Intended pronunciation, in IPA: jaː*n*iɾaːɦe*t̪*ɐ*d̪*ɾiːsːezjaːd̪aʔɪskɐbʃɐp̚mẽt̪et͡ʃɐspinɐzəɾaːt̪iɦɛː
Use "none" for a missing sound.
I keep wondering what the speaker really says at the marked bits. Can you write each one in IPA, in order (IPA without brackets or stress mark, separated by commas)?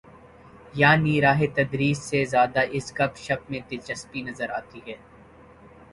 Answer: n, t̪, d̪